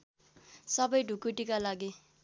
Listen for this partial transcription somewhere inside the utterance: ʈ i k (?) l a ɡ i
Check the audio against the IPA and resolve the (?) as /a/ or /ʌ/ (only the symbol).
a